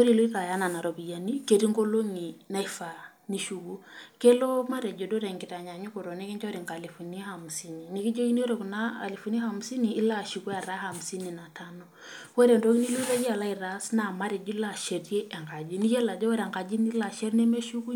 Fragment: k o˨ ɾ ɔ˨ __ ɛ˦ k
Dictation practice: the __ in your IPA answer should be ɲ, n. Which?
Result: n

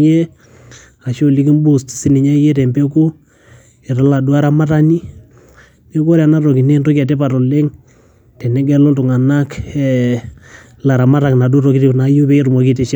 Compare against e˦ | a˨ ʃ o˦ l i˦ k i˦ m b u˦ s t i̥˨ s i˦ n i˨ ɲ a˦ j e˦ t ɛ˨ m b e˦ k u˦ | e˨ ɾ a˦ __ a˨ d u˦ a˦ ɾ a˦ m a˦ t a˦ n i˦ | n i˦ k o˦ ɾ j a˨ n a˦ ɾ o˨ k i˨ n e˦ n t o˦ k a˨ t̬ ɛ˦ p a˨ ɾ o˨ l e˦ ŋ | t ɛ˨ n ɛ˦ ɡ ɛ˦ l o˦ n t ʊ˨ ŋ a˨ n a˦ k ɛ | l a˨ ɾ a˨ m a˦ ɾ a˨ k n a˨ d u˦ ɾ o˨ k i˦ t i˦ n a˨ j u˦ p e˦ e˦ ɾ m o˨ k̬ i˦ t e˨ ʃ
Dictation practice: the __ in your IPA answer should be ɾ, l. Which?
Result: l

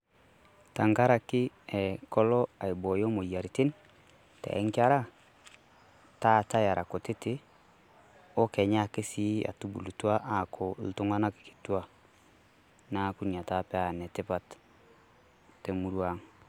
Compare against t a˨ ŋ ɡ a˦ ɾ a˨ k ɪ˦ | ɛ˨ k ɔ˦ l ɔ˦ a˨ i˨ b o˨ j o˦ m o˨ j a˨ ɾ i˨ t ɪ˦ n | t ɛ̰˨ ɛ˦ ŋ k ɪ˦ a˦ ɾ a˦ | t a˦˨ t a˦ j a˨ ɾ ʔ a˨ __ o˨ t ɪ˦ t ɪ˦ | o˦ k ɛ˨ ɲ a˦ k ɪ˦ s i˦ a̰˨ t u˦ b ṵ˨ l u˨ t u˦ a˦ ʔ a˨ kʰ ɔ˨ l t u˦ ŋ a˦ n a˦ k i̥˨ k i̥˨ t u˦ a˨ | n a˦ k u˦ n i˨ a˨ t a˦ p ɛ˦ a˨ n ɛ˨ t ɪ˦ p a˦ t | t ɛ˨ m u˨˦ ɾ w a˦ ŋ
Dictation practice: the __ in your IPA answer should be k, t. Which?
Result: k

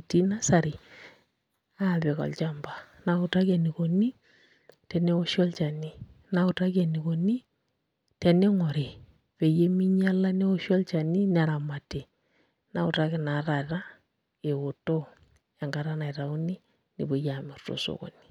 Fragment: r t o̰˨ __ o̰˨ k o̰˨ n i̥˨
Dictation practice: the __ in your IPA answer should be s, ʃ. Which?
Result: s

